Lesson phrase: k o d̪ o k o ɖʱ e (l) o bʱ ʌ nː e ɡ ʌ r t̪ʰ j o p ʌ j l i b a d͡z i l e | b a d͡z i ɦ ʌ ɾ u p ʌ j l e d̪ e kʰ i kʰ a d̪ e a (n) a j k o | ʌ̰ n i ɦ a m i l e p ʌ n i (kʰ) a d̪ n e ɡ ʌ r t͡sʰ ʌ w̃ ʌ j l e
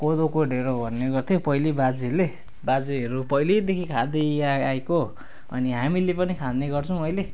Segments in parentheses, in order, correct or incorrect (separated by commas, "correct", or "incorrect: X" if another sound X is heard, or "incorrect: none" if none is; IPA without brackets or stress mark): incorrect: ɾ, incorrect: none, correct